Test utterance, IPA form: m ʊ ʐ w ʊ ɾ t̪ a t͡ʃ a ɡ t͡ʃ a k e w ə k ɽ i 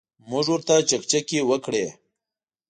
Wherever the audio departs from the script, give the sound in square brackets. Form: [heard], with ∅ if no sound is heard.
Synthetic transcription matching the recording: m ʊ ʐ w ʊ ɾ t̪ a t͡ʃ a [k] t͡ʃ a k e w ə k ɽ [e]